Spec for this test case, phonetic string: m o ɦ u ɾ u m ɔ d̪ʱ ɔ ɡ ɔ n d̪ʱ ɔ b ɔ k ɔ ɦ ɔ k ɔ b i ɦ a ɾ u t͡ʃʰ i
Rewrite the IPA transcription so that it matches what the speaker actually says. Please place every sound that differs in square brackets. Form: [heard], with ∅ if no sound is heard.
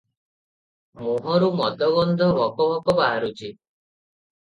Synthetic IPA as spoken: m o ɦ [ɔ] ɾ u m ɔ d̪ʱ ɔ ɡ ɔ n d̪ʱ ɔ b ɔ k ɔ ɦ ɔ k ɔ b [a] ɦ a ɾ u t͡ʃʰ i